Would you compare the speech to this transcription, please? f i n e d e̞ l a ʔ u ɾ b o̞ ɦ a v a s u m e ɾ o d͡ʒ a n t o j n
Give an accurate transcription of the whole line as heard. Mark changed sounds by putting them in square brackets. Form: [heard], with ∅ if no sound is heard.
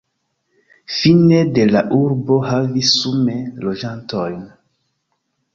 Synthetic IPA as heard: f i n e d e̞ l a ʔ u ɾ b o̞ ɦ a v [i] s u m e [l] o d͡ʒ a n t o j n